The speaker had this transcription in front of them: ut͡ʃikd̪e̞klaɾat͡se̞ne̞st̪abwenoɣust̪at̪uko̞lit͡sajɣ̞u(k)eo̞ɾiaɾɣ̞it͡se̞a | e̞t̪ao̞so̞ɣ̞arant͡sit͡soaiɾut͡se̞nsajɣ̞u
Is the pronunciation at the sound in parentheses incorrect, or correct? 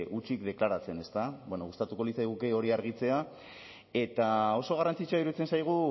correct